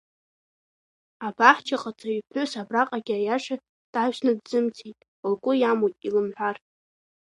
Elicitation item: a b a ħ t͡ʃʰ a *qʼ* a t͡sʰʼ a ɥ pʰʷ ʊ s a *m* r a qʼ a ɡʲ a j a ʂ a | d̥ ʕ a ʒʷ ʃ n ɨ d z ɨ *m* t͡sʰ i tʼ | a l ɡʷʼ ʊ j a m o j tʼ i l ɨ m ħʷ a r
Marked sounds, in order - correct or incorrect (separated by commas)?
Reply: correct, incorrect, correct